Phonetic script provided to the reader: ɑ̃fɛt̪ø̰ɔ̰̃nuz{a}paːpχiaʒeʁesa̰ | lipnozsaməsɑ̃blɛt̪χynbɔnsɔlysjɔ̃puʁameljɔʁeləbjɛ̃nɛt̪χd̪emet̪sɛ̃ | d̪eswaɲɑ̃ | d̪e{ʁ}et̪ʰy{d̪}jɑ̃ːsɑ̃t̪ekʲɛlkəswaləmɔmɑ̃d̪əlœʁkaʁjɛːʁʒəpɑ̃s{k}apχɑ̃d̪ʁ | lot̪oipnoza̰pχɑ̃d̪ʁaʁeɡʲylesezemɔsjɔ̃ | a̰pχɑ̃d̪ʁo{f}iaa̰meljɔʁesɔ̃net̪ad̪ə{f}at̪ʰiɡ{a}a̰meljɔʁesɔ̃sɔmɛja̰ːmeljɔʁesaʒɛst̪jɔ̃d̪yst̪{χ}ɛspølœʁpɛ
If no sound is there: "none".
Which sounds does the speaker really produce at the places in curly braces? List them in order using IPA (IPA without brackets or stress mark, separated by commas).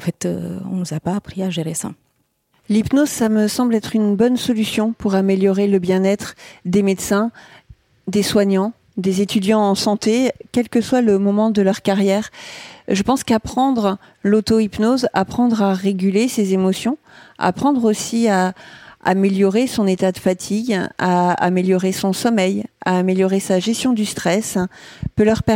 a, z, d̪, k, s, f, a, χ